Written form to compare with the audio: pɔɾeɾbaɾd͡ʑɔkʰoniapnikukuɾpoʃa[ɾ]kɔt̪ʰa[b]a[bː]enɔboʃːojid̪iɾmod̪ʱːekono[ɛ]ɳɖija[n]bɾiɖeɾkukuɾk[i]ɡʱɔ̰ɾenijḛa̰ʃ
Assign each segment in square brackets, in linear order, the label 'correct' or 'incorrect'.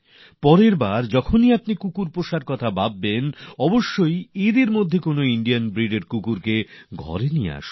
correct, correct, correct, incorrect: i, correct, incorrect: e

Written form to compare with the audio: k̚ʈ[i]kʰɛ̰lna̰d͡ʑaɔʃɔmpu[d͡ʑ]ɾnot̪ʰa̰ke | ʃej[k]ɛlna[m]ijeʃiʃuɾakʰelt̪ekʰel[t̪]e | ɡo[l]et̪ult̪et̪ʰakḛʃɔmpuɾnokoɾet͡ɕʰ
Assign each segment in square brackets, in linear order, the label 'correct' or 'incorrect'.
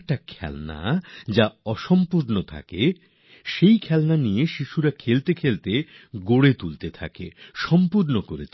incorrect: a, incorrect: none, incorrect: kʰ, incorrect: n, correct, incorrect: ɽ

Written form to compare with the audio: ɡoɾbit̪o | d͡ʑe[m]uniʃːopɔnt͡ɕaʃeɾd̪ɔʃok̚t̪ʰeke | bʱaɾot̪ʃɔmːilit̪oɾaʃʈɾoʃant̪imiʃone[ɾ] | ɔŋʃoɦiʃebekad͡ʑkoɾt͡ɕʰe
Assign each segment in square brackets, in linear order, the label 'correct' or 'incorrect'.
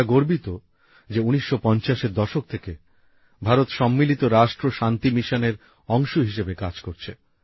incorrect: none, correct

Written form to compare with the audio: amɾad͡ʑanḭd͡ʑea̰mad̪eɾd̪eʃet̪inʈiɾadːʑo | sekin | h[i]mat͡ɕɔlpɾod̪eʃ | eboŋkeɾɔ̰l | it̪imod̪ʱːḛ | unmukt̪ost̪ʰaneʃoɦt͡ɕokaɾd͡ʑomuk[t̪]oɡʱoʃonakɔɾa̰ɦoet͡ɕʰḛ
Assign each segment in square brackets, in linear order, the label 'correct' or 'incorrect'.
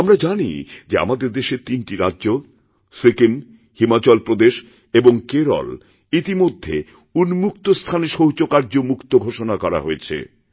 correct, correct

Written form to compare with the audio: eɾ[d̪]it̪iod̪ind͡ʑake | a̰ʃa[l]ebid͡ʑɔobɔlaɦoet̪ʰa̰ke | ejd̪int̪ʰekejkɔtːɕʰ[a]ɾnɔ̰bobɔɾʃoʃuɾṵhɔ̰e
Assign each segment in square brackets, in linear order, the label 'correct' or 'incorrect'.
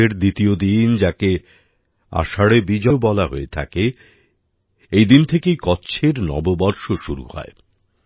correct, incorrect: ɽ, incorrect: e

